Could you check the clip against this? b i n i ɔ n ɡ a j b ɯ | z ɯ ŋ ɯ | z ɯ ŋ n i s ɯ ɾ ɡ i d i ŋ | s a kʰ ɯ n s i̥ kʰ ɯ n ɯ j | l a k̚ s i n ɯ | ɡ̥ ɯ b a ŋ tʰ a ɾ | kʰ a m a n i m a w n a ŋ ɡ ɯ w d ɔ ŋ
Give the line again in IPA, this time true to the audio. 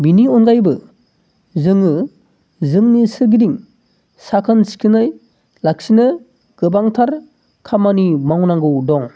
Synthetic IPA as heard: b i n i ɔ n ɡ a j b ɯ | z ɯ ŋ ɯ | z ɯ ŋ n i s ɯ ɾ ɡ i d i ŋ | s a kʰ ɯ n s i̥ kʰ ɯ n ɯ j | l a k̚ s i n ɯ | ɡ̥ ɯ b a ŋ tʰ a ɾ | kʰ a m a n i m a w n a ŋ ɡ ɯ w d ɔ ŋ

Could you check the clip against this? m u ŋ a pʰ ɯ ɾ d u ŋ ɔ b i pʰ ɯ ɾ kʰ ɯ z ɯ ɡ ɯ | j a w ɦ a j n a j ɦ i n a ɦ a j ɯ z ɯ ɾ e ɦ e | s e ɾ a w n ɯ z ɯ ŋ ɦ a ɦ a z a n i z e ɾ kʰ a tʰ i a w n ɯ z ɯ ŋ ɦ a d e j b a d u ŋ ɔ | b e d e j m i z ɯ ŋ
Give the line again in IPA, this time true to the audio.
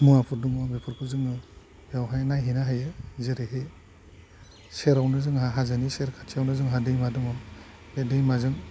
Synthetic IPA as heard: m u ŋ a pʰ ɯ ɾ d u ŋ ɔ b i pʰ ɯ ɾ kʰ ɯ z ɯ ŋ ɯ | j a w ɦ a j n a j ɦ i n a ɦ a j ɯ z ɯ ɾ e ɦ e | s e ɾ a w n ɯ z ɯ ŋ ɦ a ɦ a z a n i s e ɾ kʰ a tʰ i a w n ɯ z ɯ ŋ ɦ a d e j m a d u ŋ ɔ | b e d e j m a z ɯ ŋ

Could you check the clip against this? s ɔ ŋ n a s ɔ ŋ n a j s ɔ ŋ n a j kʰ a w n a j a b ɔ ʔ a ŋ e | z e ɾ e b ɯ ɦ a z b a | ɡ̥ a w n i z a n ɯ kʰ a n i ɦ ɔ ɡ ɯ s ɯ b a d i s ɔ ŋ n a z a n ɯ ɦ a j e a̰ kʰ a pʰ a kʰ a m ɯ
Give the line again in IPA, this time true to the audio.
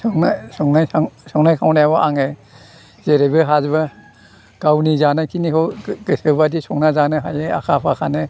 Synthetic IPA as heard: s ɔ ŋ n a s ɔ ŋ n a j s ɔ ŋ n a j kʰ a w n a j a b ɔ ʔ a ŋ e | z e ɾ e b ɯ ɦ a z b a | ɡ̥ a w n i z a n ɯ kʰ i n i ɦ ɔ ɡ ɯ s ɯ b a d i s ɔ ŋ n a z a n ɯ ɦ a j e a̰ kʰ a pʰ a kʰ a n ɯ

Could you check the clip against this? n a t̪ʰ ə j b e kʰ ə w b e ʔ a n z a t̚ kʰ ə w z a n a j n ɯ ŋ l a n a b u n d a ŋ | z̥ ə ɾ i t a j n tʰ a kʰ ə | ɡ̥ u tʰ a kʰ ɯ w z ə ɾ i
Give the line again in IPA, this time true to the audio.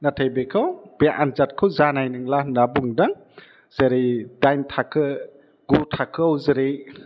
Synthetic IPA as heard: n a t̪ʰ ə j b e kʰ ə w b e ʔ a n z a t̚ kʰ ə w z a n a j n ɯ ŋ l a n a b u ŋ d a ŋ | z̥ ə ɾ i d a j n tʰ a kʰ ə | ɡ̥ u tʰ a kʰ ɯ w z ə ɾ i

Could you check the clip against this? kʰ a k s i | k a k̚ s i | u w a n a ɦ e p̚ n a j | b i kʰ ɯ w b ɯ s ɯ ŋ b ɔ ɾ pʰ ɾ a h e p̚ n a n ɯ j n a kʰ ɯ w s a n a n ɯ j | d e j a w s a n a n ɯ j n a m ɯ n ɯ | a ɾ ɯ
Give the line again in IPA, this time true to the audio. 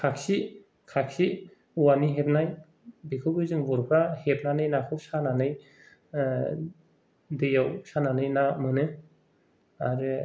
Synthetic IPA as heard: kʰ a k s i | kʰ a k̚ s i | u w a n i ɦ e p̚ n a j | b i kʰ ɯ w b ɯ z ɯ ŋ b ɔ ɾ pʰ ɾ a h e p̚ n a n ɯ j n a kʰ ɯ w s a n a n ɯ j | d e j a w s a n a n ɯ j n a m ɯ n ɯ | a ɾ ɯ

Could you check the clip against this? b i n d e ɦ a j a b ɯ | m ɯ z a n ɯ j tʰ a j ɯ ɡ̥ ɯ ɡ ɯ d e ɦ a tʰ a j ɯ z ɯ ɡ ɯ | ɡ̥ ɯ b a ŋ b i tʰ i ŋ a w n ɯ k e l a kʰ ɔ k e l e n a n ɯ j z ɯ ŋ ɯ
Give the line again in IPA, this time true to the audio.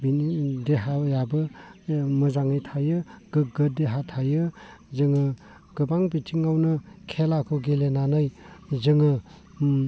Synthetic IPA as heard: b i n d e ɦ a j a b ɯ | m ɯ z a ŋ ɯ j tʰ a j ɯ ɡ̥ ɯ ɡ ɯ d e ɦ a tʰ a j ɯ z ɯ ŋ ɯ | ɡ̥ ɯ b a ŋ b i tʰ i ŋ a w n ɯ kʰ e l a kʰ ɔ ɡ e l e n a n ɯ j z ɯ ŋ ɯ

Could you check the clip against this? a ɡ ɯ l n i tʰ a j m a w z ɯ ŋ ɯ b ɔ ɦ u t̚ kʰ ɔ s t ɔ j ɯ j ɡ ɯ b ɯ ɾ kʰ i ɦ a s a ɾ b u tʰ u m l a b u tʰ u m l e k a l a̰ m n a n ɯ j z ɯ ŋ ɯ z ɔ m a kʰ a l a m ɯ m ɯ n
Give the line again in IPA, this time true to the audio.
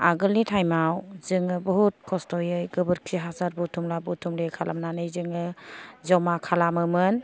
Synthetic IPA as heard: a ɡ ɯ l n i tʰ a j m a w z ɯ ŋ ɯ b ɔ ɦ u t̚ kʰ ɔ s t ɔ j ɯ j ɡ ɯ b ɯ ɾ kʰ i ɦ a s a ɾ b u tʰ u m l a b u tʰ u m l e kʰ a l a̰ m n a n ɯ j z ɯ ŋ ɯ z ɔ m a kʰ a l a m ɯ m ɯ n

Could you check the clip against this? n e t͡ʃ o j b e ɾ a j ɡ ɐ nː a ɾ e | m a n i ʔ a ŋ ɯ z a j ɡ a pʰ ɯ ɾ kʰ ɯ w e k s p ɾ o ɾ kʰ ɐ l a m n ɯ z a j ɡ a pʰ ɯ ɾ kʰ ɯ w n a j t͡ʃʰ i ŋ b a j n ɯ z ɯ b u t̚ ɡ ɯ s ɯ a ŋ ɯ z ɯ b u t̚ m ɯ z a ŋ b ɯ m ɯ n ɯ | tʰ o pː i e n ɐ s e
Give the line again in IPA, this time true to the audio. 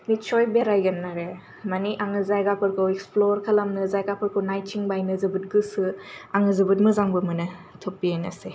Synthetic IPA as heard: n i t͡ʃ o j b e ɾ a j ɡ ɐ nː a ɾ e | m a n i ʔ a ŋ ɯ z a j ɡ a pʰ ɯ ɾ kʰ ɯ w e k s p l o ɾ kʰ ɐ l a m n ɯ z a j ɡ a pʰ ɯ ɾ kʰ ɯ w n a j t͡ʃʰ i ŋ b a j n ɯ z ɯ b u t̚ ɡ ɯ s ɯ a ŋ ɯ z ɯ b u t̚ m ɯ z a ŋ b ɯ m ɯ n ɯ | tʰ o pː i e n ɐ s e

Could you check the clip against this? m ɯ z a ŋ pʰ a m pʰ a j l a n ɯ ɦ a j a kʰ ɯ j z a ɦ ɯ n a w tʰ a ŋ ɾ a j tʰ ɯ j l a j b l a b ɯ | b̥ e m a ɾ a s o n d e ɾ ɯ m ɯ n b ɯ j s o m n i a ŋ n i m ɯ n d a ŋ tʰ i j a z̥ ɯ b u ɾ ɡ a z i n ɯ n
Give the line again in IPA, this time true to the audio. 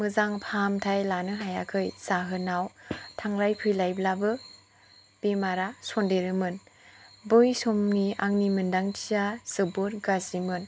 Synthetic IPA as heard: m ɯ z a ŋ pʰ a m tʰ a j l a n ɯ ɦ a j a kʰ ɯ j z a ɦ ɯ n a w tʰ a ŋ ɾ a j pʰ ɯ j l a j b l a b ɯ | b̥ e m a ɾ a s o n d e ɾ ɯ m ɯ n b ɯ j s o m n i a ŋ n i m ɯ n d a ŋ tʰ i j a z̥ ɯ b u ɾ ɡ a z i m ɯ n

